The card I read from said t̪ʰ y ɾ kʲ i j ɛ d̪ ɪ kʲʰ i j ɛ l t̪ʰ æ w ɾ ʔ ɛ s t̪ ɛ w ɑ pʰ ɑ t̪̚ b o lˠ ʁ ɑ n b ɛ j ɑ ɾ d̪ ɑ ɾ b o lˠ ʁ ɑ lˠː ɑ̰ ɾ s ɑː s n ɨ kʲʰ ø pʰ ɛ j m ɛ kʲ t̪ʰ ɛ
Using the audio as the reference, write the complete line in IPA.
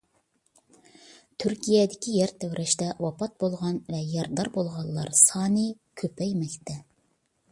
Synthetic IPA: t̪ʰ y ɾ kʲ i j ɛ d̪ ɪ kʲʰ i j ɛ ɾ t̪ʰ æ w ɾ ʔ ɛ ʃ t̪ ɛ w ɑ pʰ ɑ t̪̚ b o lˠ ʁ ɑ n v ɛ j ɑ ɾ d̪ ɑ ɾ b o lˠ ʁ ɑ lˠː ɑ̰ ɾ s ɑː n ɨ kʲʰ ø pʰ ɛ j m ɛ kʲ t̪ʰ ɛ